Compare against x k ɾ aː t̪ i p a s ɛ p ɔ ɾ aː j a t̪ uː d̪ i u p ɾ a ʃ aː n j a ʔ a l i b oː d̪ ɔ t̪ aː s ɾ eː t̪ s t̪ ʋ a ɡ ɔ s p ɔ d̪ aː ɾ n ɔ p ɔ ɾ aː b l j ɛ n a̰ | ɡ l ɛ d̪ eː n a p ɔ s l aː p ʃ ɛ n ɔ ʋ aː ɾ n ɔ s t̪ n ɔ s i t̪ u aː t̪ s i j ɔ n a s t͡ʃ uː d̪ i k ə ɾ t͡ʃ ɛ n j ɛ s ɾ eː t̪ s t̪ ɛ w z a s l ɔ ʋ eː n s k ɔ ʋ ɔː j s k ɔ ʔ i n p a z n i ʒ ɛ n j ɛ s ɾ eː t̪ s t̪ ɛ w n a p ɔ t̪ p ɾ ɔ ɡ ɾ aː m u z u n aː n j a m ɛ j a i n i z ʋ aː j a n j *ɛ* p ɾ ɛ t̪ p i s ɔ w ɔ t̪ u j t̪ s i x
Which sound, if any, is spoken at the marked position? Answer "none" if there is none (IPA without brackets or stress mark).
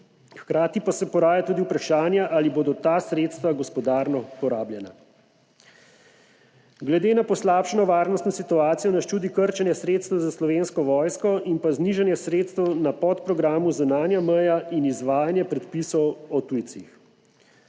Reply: ɛ